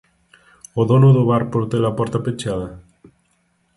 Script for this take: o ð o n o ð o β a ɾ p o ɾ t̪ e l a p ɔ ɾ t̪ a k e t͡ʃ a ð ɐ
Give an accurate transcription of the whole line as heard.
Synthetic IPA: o ð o n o ð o β a ɾ p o ɾ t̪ e l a p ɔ ɾ t̪ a p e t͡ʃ a ð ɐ